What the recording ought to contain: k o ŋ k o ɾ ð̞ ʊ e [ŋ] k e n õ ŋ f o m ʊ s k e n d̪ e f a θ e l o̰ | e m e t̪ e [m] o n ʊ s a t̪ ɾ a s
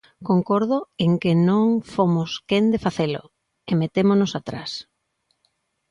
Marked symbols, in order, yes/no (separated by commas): yes, yes